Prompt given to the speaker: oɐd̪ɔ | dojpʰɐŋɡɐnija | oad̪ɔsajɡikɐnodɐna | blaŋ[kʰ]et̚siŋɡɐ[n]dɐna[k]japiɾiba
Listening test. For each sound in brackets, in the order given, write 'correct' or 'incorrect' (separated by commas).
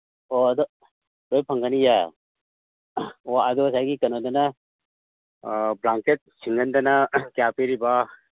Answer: incorrect, correct, correct